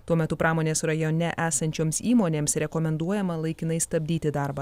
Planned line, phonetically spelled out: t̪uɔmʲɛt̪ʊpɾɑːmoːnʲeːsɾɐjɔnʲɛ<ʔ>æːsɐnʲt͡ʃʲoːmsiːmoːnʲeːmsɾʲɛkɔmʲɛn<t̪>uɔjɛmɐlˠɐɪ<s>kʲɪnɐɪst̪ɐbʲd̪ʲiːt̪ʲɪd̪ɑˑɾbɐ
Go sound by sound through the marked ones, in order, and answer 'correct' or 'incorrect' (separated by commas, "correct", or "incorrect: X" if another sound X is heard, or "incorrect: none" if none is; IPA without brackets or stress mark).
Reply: correct, incorrect: d̪, incorrect: none